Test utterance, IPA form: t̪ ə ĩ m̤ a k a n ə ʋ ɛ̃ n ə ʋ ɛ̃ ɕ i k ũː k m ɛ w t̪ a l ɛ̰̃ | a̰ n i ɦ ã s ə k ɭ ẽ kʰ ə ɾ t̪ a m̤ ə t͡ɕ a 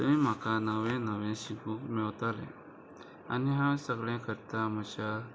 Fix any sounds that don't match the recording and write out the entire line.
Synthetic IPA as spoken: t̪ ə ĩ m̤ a k a n ə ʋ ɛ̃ n ə ʋ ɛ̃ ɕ i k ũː k m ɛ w t̪ a l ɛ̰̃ | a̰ n i ɦ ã s ə ɡ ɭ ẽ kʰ ə ɾ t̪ a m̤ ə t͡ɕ a